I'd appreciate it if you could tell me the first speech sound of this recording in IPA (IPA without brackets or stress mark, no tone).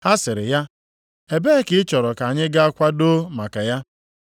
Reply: h